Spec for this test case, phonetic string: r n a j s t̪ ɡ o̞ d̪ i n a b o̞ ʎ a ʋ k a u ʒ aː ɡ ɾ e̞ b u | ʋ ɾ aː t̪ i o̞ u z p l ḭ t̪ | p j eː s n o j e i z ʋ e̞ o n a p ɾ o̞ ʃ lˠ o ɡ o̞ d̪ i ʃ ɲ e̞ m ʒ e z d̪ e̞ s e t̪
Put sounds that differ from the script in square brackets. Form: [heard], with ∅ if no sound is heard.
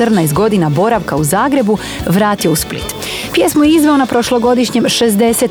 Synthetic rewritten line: r n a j s t̪ ɡ o̞ d̪ i n a b o̞ [ɾ] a ʋ k a u [z] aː ɡ ɾ e̞ b u | ʋ ɾ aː t̪ i o̞ u [s] p l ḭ t̪ | p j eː s [m] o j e i z ʋ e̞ o n a p ɾ o̞ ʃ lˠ o ɡ o̞ d̪ i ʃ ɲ e̞ m [ʃ] e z d̪ e̞ s e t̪